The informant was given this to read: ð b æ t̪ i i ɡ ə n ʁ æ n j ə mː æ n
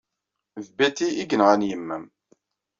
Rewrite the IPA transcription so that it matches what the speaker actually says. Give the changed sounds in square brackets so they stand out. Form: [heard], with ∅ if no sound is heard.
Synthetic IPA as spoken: ð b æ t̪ i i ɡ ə n ʁ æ n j ə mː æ [m]